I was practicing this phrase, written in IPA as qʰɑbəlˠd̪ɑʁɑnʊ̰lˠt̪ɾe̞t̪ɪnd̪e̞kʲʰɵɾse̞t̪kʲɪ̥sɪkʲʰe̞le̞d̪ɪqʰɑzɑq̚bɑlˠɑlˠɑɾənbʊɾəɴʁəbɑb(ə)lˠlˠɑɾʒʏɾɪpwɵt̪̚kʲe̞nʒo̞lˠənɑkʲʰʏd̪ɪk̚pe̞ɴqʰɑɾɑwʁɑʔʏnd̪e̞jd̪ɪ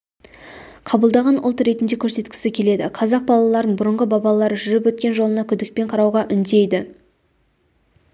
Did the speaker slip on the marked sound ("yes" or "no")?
yes